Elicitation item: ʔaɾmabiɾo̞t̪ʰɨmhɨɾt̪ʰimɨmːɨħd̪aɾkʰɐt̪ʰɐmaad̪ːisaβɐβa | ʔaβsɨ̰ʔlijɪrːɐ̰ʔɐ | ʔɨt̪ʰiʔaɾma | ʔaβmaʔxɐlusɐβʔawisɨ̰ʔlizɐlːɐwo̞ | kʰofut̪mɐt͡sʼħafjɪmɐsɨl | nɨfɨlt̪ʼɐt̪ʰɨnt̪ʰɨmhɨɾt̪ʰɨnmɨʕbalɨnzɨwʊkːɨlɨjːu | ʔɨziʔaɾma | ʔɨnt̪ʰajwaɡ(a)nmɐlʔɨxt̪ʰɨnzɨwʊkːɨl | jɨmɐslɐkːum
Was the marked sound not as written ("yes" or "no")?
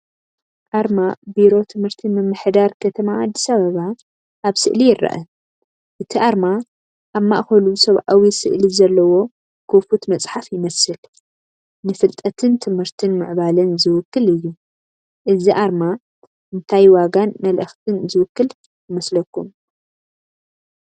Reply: no